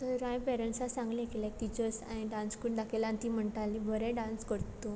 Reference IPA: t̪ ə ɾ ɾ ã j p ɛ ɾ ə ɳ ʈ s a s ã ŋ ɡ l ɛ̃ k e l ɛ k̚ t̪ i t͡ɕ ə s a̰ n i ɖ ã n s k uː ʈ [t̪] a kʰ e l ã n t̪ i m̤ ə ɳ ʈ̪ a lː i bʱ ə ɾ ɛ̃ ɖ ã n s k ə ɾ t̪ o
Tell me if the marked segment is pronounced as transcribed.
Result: no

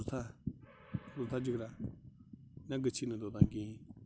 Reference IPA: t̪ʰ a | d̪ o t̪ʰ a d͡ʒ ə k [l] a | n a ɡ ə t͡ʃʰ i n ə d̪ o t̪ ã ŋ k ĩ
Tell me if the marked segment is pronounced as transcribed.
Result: no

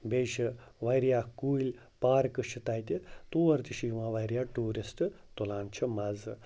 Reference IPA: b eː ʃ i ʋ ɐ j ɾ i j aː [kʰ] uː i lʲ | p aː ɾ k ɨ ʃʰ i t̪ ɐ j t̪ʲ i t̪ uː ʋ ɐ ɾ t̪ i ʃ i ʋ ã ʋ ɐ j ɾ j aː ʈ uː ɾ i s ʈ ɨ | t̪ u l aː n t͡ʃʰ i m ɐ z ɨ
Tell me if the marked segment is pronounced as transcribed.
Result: no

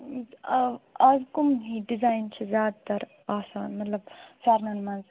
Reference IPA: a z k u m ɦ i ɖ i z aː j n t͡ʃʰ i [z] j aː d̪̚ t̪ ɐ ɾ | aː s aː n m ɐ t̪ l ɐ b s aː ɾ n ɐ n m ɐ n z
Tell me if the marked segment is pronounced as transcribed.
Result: yes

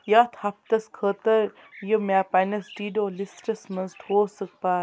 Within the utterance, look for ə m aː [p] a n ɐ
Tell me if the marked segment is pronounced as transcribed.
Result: yes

